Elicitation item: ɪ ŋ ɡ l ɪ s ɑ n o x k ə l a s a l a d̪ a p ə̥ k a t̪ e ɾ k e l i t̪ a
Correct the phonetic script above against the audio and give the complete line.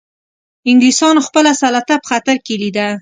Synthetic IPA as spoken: ɪ ŋ ɡ l i s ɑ n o x p ə l a s a l a t̪ a p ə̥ x a t̪ a ɾ k e l i d̪ a